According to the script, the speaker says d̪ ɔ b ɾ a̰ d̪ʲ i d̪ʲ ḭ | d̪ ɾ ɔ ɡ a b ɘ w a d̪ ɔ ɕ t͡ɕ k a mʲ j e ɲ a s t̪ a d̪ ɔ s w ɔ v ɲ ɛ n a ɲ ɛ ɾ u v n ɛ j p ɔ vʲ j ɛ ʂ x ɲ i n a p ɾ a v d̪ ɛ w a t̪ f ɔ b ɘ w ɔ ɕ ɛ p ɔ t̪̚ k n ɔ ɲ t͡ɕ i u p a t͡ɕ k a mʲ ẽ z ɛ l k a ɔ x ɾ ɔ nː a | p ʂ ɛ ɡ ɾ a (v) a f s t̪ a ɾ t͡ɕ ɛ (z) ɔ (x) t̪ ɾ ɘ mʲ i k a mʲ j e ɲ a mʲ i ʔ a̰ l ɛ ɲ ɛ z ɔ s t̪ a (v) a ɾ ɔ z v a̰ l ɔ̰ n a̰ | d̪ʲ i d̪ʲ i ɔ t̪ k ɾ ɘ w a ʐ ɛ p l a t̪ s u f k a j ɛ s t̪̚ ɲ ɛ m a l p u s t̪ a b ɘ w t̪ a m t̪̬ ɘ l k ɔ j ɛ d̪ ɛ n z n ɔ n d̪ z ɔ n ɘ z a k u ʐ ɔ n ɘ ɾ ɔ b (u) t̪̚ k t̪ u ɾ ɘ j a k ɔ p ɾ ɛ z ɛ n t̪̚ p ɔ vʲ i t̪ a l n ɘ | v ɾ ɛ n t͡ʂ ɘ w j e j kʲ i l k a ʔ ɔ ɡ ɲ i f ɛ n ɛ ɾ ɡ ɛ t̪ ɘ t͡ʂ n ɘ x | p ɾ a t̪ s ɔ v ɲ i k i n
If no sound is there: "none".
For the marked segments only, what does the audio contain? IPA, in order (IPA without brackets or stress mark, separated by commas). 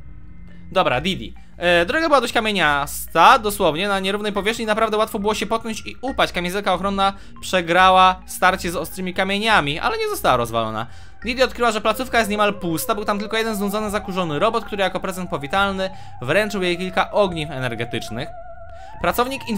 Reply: w, z, s, w, ɔ